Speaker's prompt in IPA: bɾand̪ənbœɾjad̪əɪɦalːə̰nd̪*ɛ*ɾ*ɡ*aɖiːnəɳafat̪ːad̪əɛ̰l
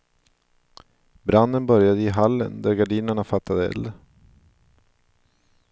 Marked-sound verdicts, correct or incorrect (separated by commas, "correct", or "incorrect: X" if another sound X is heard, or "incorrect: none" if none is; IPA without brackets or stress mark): incorrect: æ, correct